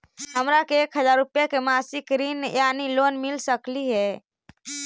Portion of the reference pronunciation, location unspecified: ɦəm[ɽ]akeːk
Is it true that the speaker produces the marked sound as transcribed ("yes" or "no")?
no